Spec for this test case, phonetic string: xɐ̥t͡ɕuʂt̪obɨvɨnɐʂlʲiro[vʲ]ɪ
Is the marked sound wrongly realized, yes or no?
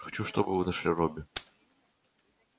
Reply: yes